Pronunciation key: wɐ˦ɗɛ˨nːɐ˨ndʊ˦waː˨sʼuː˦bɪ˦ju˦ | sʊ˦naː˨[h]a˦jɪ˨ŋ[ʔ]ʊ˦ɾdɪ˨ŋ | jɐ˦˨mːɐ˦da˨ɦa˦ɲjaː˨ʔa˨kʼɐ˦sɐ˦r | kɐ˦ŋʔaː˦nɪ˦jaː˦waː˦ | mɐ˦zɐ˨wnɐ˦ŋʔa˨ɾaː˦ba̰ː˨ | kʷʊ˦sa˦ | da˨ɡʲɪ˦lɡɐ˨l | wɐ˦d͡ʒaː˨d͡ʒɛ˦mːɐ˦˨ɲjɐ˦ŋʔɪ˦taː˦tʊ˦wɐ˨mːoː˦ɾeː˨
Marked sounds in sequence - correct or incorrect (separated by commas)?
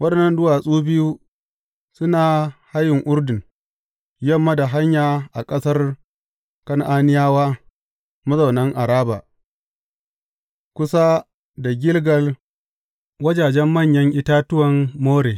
correct, correct